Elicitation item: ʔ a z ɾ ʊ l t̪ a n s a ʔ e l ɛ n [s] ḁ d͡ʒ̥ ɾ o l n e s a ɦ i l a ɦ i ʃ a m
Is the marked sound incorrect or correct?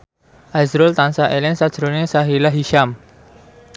correct